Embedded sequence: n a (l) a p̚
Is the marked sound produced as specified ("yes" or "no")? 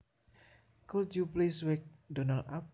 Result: yes